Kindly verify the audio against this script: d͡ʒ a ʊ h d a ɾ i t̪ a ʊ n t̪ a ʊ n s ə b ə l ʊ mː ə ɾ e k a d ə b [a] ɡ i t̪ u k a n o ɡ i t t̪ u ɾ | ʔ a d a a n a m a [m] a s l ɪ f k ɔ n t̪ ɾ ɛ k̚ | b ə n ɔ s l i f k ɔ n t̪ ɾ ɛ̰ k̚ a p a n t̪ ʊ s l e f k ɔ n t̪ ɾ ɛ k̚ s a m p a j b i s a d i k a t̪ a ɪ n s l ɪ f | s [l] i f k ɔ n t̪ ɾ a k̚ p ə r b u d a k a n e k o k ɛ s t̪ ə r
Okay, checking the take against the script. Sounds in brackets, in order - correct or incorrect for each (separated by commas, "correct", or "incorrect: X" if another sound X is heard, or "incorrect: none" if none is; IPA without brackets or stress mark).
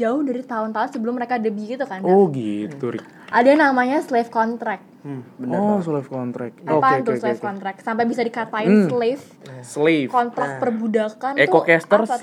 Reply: incorrect: i, incorrect: ɲ, correct